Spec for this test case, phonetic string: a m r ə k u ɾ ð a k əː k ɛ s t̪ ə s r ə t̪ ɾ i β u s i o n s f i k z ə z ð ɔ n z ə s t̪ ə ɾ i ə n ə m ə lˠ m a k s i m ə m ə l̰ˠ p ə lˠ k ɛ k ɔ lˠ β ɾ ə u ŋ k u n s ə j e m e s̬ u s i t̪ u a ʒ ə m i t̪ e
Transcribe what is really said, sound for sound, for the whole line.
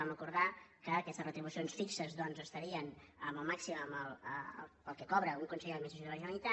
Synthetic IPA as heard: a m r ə k u ɾ ð a k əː k ɛ s t̪ ə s r ə t̪ ɾ i β u s i o n s f i k s ə z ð ɔ n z ə s t̪ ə ɾ i ə n ə m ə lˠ m a k s i m ə m ə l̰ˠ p ə lˠ k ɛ k ɔ β ɾ ə u ŋ k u n s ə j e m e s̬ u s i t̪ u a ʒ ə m i t̪ a